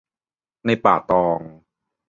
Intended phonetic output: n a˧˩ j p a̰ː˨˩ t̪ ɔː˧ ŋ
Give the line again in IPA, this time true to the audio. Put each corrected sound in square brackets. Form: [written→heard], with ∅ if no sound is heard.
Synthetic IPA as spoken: n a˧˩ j p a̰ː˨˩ t̪ ɔː˧ ŋ